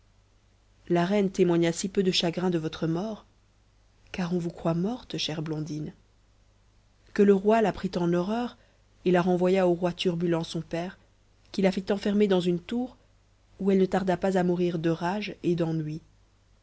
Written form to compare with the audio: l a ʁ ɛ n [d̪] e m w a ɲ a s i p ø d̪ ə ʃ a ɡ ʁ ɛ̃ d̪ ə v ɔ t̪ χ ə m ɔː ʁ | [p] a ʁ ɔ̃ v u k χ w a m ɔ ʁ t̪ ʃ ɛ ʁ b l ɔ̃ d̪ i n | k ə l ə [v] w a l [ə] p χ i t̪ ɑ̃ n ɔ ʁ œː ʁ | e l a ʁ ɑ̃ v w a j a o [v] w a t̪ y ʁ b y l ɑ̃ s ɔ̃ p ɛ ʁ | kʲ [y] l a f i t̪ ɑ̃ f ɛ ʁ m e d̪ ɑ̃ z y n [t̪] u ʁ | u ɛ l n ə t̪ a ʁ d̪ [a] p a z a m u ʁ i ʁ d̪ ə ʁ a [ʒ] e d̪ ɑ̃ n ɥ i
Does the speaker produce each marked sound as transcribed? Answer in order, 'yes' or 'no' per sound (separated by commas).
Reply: no, no, no, no, no, no, yes, yes, yes